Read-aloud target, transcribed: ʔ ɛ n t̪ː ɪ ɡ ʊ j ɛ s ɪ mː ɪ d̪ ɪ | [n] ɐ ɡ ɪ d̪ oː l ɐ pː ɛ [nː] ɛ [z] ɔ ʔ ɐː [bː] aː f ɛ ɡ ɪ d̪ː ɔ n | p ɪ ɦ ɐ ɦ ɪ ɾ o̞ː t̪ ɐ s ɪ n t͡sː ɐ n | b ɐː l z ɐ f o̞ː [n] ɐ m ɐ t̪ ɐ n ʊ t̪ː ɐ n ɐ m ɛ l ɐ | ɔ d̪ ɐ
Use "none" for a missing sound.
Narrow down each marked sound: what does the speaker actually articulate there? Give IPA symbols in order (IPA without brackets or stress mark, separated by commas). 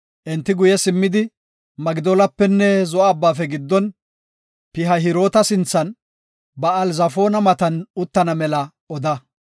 m, nː, z, bː, n